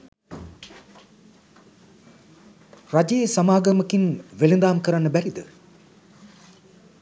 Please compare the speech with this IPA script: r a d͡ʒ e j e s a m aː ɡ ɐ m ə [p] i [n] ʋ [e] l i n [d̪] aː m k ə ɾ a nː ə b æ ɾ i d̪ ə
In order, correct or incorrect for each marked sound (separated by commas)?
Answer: incorrect, correct, correct, correct